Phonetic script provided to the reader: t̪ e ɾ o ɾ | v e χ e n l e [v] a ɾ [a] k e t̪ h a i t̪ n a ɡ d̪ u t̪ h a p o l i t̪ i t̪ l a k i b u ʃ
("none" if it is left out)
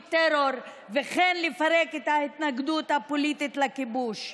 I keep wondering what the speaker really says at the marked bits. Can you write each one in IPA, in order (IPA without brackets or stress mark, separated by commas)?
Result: f, e